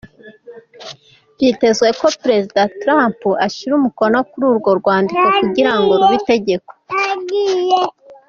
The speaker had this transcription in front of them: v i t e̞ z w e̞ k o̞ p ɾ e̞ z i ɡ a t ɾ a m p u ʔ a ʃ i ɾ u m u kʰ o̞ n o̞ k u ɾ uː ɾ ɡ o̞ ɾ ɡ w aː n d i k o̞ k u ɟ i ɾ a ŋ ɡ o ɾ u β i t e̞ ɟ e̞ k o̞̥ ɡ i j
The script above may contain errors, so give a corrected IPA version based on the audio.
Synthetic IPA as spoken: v i t e̞ z w e̞ k o̞ p ɾ e̞ z i d a t ɾ a m p u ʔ a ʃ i ɾ u m u k o̞ n o̞ k u ɾ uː ɾ ɡ o̞ ɾ ɡ w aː n d i k o̞ k u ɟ i ɾ a ŋ ɡ o ɾ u β i t e̞ ɟ e̞ k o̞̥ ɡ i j